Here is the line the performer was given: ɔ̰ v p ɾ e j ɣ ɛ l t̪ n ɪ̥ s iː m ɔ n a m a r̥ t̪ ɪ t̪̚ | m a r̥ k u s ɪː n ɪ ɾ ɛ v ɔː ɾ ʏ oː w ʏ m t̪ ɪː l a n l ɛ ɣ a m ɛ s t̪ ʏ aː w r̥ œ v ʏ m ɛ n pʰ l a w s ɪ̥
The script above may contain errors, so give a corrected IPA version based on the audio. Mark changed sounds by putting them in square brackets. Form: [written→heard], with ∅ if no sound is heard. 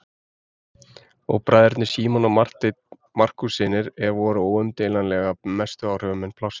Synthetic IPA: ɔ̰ [v→ɣ] p ɾ [e→a] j [ɣ→ð] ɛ [l→ɾ] t̪ n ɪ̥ s iː m ɔ n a m a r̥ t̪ ɪ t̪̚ | m a r̥ k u s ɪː n ɪ ɾ ɛ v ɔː ɾ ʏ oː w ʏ m t̪ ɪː l a n l ɛ ɣ a m ɛ s t̪ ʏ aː w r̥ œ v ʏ m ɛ n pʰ l a w s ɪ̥